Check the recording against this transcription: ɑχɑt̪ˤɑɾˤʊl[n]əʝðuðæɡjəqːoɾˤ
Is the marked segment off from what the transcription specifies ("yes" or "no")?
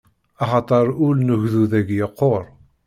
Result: no